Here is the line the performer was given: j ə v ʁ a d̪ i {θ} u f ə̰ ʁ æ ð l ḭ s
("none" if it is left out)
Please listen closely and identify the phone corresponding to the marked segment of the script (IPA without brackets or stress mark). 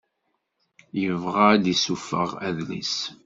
s